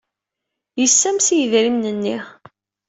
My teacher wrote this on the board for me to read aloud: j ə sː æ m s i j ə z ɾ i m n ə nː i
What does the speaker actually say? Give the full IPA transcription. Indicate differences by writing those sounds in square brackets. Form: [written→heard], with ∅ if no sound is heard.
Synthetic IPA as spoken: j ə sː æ m s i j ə [z→ð] ɾ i m n ə nː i